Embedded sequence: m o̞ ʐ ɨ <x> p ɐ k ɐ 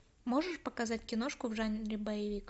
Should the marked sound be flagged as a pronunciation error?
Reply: yes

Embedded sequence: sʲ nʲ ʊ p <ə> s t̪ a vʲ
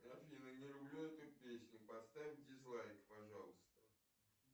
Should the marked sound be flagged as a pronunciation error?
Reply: yes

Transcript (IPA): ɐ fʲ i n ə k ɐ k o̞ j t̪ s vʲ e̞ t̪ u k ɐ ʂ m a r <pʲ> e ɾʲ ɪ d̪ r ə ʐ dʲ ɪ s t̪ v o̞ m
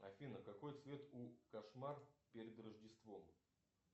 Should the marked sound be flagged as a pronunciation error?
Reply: no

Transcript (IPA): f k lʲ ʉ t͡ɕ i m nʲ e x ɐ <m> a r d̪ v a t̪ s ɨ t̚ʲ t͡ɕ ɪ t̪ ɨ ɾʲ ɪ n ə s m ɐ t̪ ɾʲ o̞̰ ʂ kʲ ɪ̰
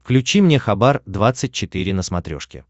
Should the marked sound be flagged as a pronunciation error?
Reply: yes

